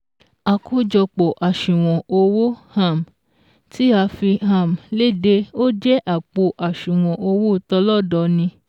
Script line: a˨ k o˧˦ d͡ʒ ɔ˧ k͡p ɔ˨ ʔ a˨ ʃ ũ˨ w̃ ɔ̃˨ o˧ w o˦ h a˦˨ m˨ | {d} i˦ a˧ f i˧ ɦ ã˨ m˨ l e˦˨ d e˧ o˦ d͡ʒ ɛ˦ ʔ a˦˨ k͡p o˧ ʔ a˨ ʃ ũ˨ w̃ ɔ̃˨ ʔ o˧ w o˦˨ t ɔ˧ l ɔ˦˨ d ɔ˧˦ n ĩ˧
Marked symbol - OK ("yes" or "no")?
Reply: no